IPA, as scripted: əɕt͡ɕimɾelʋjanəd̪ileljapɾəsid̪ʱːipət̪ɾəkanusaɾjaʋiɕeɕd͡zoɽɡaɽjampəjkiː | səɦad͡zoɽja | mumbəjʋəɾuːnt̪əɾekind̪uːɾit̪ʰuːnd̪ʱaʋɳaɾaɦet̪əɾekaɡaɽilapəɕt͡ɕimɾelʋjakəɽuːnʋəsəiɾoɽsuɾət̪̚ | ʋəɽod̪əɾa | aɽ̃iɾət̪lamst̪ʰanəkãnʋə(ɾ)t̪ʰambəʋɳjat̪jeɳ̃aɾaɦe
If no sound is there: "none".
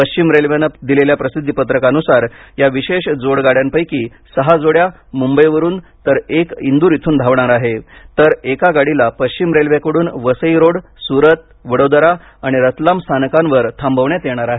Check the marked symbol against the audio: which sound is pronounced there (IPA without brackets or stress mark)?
ɾ